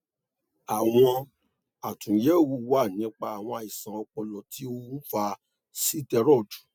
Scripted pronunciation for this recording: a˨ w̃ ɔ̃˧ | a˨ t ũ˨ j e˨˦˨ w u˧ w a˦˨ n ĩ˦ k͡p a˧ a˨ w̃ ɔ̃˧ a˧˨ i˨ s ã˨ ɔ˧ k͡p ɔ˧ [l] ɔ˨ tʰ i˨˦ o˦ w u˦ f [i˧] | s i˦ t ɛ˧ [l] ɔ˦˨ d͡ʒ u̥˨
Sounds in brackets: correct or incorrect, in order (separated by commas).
correct, incorrect, incorrect